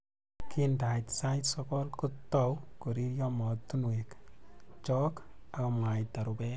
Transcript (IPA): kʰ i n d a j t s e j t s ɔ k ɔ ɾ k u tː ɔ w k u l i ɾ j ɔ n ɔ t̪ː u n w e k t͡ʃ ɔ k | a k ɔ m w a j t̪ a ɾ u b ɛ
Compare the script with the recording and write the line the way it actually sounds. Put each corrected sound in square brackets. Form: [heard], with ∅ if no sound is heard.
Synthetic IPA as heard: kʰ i n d a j t s [a] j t s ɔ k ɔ [l] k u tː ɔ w k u [ɾ] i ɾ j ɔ [m] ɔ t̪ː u n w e k t͡ʃ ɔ k | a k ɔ m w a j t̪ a ɾ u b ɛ